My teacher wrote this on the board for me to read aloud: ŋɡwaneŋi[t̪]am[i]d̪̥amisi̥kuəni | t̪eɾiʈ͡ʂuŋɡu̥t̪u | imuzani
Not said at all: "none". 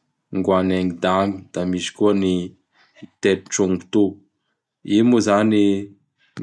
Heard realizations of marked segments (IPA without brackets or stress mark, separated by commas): d̪, i